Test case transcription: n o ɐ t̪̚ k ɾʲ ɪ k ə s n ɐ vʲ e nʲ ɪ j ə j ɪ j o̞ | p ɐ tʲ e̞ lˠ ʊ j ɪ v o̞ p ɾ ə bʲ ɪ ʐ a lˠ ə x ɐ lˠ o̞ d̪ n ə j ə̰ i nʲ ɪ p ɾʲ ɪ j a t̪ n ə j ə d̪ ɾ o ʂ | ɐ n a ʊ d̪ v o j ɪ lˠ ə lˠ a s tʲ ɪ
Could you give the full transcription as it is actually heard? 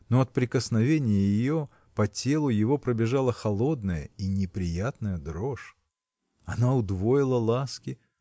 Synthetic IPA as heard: n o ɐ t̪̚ p ɾʲ ɪ k ə s n ɐ vʲ e nʲ ɪ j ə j ɪ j o̞ | p ɐ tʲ e̞ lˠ ʊ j ɪ v o̞ p ɾ ə bʲ ɪ ʐ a lˠ ə x ɐ lˠ o̞ d̪ n ə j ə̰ i nʲ ɪ p ɾʲ ɪ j a t̪ n ə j ə d̪ ɾ o ʂ | ɐ n a ʊ d̪ v o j ɪ lˠ ə lˠ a s kʲ ɪ